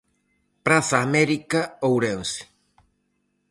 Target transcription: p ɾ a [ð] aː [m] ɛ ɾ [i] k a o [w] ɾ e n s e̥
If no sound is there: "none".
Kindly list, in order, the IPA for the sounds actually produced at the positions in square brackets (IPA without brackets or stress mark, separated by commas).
θ, m, i, w